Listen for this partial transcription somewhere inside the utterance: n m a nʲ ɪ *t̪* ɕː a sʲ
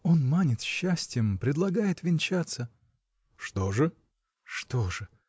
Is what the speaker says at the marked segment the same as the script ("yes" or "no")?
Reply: yes